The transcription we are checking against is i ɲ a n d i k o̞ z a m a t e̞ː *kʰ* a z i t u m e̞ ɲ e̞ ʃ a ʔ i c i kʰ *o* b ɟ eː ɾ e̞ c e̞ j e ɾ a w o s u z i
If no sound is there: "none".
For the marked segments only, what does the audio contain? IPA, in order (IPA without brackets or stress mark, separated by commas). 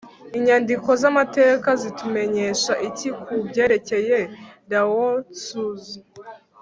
k, u